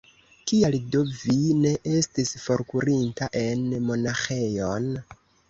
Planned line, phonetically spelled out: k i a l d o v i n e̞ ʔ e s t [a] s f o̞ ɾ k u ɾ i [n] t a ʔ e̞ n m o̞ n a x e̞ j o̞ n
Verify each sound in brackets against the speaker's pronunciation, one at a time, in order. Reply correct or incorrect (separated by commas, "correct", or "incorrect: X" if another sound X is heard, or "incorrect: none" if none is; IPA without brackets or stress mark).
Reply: incorrect: i, correct